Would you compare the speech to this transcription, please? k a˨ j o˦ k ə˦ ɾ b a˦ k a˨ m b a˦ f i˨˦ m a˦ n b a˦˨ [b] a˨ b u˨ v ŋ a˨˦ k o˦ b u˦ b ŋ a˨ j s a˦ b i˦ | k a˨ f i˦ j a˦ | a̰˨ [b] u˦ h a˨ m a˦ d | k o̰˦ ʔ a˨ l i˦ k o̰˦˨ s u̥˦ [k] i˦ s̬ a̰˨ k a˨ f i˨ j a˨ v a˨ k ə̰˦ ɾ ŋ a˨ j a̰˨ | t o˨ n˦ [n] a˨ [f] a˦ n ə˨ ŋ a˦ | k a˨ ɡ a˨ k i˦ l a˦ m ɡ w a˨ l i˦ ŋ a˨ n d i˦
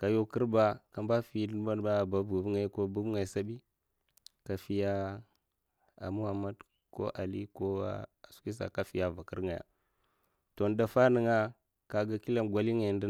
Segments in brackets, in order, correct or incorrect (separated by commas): correct, incorrect, correct, incorrect, correct